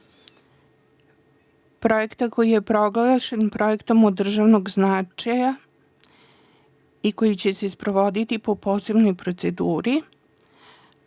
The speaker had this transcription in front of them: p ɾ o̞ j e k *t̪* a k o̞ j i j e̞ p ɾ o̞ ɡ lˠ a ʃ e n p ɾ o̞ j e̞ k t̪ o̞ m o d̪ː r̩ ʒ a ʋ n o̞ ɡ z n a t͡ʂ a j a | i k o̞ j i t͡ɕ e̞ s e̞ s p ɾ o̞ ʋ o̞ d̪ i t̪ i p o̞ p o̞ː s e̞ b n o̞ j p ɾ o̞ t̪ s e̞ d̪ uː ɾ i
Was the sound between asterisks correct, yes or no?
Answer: yes